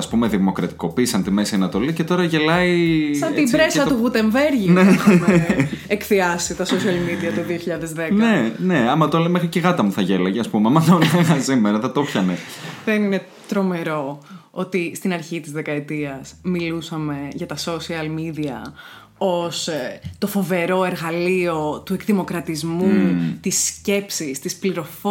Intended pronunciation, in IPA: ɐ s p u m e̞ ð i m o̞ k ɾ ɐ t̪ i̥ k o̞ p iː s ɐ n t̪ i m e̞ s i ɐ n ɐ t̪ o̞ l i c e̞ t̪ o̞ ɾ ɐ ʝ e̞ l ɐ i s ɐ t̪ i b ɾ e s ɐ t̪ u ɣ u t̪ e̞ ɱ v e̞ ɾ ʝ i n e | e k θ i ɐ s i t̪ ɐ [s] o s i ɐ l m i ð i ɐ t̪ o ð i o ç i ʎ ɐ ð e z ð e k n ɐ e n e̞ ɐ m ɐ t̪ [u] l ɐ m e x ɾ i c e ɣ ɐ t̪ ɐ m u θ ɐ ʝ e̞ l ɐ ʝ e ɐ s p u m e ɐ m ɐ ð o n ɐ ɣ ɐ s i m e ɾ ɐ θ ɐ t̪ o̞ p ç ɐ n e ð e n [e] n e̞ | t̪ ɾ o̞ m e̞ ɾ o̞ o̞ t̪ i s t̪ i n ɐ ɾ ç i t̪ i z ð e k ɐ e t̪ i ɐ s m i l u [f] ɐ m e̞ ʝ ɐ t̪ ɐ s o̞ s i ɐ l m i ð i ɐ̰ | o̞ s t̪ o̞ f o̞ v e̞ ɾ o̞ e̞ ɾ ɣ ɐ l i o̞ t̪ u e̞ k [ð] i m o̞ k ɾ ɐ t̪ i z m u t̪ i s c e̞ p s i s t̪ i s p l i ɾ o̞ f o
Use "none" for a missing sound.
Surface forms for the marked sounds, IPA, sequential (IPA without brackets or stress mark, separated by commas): s, o, i, s, ð